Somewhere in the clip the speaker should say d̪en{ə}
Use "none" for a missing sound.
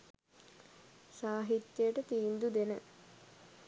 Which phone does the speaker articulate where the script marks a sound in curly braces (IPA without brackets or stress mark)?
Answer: ə